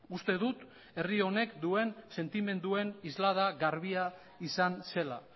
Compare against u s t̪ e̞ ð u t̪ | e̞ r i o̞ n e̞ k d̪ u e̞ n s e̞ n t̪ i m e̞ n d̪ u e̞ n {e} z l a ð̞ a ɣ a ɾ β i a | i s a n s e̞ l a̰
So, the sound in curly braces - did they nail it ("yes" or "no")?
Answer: no